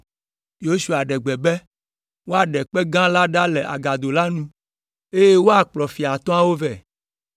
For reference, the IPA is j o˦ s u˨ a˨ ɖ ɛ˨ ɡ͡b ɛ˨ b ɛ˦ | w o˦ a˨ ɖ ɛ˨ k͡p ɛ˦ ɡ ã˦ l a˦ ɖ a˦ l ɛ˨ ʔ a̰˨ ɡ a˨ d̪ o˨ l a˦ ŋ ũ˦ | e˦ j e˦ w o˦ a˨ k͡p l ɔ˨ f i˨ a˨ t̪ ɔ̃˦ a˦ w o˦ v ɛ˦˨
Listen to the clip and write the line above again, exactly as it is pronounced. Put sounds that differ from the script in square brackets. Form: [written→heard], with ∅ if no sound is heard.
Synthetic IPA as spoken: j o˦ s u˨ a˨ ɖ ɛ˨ ɡ͡b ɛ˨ b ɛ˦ | w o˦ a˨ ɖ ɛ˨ k͡p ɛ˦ ɡ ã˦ l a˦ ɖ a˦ l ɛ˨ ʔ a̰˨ ɡ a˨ d̪ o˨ l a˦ [ŋ→n] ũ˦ | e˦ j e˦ w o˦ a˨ k͡p l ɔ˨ f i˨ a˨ t̪ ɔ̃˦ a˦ w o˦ v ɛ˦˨